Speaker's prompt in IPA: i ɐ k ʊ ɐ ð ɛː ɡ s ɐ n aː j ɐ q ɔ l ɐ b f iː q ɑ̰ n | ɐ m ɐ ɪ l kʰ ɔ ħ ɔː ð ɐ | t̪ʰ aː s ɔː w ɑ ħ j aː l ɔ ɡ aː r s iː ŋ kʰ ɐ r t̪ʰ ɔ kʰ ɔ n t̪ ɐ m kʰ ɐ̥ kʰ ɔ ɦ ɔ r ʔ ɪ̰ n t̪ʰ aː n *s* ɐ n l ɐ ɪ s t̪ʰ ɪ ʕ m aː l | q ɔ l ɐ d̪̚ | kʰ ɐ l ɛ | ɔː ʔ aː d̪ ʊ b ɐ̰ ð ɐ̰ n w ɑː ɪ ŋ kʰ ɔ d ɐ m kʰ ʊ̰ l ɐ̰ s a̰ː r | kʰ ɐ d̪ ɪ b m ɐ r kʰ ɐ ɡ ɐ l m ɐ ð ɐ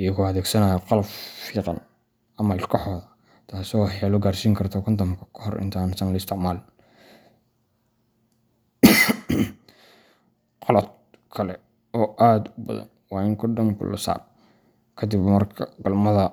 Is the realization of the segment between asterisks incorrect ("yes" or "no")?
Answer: no